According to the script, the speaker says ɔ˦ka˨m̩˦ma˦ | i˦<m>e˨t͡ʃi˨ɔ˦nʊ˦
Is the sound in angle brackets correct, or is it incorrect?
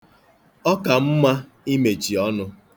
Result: correct